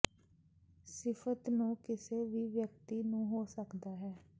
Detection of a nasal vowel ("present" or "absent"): present